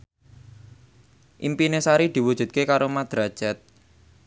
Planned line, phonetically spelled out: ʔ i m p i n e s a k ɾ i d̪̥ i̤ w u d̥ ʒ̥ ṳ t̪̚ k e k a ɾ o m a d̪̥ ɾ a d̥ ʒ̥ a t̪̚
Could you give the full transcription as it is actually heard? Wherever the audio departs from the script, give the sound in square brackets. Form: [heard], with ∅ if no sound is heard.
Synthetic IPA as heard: ʔ i m p i n e s a [∅] ɾ i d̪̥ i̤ w u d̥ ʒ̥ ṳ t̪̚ k e k a ɾ o m a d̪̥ ɾ a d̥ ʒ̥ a t̪̚

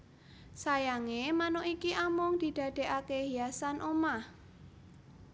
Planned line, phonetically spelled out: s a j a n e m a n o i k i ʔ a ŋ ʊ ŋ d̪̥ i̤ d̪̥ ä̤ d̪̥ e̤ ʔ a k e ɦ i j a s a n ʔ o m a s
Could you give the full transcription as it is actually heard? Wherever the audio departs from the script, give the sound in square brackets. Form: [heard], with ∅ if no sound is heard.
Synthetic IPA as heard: s a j a [ŋ] e m a n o i k i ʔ a [m] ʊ ŋ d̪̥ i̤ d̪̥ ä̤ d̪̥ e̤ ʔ a k e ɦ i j a s a n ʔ o m a [h]

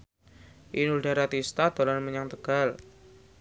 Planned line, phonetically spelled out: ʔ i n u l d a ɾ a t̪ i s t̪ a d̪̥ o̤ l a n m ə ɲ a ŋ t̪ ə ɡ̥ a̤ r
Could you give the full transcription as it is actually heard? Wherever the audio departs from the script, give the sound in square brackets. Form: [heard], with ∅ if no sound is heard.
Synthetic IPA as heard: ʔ i n u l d a ɾ a t̪ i s t̪ a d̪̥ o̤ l a n m ə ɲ a ŋ t̪ ə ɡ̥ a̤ [l]

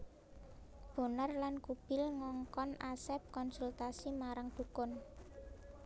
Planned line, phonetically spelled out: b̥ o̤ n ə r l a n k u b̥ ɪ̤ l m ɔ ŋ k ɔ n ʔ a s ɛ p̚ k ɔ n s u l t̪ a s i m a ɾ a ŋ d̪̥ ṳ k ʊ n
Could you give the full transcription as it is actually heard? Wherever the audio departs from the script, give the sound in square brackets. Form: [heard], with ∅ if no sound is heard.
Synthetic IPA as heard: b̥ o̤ n ə r l a n k u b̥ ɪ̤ l [ŋ] ɔ ŋ k ɔ n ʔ a s ɛ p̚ k ɔ n s u l t̪ a s i m a ɾ a ŋ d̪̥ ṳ k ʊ n

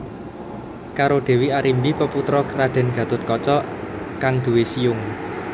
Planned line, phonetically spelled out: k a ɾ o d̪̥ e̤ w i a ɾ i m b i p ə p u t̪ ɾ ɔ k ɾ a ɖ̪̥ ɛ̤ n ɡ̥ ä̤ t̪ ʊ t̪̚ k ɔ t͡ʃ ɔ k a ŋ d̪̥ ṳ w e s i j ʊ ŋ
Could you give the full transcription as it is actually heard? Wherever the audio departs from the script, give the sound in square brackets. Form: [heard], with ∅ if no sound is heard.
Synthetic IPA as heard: k a ɾ o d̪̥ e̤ w i a ɾ i m b i p ə p u t̪ ɾ ɔ k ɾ a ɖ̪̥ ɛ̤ n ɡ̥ ä̤ t̪ ʊ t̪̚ k ɔ t͡ʃ ɔ k a ŋ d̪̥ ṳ w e s i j ʊ ŋ

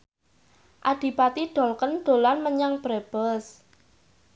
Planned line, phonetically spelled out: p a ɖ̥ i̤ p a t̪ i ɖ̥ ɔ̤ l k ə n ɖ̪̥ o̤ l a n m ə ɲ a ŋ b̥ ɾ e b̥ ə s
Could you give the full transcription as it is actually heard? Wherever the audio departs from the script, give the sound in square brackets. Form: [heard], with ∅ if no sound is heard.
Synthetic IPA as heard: [ʔ] a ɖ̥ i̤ p a t̪ i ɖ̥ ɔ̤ l k ə n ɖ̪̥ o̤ l a n m ə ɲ a ŋ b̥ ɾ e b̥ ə s

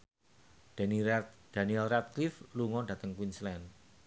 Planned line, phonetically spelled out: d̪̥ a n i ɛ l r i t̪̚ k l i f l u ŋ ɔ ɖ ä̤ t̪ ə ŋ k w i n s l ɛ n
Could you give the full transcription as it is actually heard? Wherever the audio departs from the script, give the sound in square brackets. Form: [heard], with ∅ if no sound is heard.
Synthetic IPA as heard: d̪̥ a n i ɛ l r [a] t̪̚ k l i f l u ŋ ɔ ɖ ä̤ t̪ ə ŋ k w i n s l ɛ n

